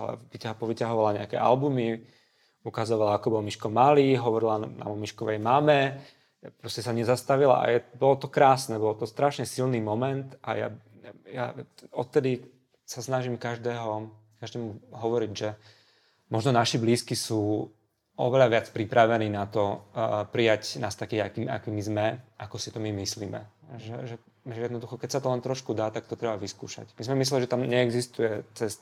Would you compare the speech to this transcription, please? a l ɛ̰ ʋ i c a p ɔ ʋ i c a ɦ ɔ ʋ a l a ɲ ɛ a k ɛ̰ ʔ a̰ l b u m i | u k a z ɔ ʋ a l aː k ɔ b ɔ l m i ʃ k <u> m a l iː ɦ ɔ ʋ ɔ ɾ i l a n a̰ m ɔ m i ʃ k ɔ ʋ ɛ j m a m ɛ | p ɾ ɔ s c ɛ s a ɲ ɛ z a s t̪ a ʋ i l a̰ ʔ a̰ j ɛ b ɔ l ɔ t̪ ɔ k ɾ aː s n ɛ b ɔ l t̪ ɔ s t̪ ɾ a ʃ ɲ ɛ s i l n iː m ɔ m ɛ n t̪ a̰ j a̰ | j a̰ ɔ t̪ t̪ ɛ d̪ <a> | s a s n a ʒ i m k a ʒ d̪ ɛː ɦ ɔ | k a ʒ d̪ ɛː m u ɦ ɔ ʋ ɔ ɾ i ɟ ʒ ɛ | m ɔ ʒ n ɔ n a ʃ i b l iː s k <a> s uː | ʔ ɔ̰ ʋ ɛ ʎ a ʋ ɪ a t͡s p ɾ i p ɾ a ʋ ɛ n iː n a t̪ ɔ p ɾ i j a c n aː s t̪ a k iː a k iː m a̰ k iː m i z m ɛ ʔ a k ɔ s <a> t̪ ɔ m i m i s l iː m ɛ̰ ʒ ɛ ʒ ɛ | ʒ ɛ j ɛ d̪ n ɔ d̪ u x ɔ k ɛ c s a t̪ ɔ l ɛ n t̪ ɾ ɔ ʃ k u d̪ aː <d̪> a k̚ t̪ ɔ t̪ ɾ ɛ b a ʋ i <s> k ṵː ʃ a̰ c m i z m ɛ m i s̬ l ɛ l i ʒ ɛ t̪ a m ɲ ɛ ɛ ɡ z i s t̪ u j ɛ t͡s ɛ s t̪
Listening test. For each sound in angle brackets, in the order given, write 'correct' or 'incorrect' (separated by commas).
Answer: incorrect, incorrect, incorrect, incorrect, incorrect, correct